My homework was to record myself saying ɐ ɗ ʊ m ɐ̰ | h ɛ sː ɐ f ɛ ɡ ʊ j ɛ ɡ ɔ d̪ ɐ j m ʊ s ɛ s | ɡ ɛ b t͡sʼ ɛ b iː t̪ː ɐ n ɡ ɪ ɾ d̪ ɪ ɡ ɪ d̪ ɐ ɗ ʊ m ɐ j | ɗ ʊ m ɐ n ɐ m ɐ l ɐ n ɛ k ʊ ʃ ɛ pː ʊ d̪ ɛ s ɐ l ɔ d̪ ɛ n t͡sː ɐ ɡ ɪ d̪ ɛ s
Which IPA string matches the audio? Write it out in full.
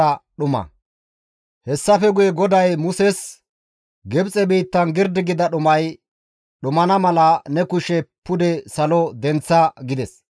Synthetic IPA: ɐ ɗ ʊ m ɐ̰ | h ɛ sː ɐ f ɛ ɡ ʊ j ɛ ɡ ɔ d̪ ɐ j m ʊ s ɛ s | ɡ ɛ b t͡sʼ ɛ b iː t̪ː ɐ n ɡ ɪ ɾ d̪ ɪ ɡ ɪ d̪ ɐ ɗ ʊ m ɐ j | ɗ ʊ m ɐ n ɐ m ɐ l ɐ n ɛ k ʊ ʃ ɛ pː ʊ d̪ ɛ s ɐ l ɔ d̪ ɛ n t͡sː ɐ ɡ ɪ d̪ ɛ s